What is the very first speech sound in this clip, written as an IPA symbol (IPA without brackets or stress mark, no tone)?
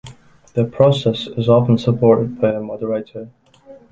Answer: ð